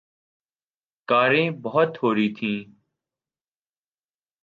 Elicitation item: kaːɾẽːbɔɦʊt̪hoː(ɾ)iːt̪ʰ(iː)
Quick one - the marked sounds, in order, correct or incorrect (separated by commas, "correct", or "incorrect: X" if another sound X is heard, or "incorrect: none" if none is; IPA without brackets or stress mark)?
correct, incorrect: ĩː